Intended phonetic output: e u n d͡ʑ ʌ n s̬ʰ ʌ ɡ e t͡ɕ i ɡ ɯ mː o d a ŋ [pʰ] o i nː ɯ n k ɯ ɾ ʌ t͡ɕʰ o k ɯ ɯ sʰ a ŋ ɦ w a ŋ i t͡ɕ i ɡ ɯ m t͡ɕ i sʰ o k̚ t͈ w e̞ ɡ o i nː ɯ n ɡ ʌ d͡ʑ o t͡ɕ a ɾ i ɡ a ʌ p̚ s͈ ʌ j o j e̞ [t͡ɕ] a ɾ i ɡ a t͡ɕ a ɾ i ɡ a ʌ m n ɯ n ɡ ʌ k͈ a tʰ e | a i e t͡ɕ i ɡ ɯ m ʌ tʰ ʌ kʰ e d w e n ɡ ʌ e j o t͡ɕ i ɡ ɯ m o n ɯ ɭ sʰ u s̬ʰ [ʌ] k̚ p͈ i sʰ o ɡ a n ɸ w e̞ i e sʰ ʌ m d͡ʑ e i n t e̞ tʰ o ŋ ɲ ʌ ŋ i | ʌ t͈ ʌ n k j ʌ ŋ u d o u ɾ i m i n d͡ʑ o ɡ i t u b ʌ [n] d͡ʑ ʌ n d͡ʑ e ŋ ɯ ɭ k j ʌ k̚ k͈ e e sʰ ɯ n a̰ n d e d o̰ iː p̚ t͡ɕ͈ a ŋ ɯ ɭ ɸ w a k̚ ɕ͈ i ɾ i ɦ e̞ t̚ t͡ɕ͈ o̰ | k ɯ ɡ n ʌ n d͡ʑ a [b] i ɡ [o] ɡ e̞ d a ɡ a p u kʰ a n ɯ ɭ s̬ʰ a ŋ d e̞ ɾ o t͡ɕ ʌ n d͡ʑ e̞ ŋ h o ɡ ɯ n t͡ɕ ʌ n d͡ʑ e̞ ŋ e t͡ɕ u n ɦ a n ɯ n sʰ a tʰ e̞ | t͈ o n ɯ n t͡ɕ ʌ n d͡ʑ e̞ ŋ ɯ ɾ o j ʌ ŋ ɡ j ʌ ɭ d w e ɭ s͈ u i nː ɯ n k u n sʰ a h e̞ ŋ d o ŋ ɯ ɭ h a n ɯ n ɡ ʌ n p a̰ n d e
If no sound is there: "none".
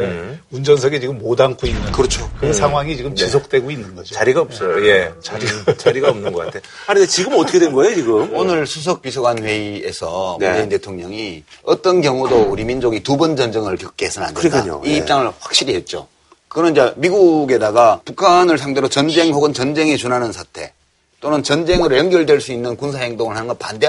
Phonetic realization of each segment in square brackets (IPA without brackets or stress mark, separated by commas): kʰ, t͡ɕ, ʌ, n, m, u